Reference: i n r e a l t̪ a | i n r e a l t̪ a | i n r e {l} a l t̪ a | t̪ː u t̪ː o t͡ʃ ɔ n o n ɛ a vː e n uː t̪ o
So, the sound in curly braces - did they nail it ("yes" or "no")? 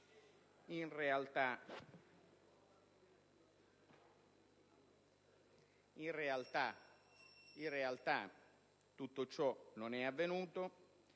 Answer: no